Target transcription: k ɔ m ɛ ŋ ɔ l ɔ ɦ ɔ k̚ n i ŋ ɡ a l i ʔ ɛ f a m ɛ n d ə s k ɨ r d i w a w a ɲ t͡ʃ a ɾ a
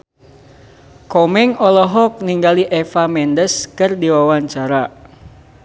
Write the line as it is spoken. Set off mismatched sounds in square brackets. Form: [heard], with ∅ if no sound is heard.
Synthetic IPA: k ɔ m ɛ ŋ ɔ l ɔ ɦ ɔ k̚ n i ŋ ɡ a l i ʔ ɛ f a m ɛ n d ə s k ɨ r d i w a w a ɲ t͡ʃ a ɾ a